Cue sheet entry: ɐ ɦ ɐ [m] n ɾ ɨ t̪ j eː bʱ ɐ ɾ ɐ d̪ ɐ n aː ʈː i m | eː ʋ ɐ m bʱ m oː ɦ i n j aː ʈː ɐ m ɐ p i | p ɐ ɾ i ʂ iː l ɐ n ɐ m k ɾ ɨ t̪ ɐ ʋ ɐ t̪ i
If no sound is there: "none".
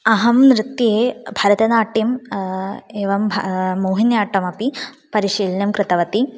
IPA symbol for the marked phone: m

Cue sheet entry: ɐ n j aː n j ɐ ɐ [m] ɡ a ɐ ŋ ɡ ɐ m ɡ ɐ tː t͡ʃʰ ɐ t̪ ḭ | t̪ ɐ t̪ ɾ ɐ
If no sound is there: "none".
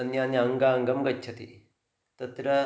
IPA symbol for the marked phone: ŋ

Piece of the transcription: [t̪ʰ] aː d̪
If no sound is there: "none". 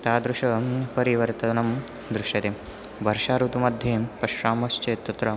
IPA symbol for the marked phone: t̪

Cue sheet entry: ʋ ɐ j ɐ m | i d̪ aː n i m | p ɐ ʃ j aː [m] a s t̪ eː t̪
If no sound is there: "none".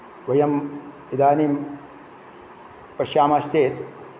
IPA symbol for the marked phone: m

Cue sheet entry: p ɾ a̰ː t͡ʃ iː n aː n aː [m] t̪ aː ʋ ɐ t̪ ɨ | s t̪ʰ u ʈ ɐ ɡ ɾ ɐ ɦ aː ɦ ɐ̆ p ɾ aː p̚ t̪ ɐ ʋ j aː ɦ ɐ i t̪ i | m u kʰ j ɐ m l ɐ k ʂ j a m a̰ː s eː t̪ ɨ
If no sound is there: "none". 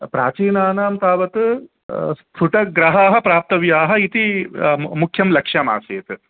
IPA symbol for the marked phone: m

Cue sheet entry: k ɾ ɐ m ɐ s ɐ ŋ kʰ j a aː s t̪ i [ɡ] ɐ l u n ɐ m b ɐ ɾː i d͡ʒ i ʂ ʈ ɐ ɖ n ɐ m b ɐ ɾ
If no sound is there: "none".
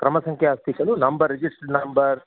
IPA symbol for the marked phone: k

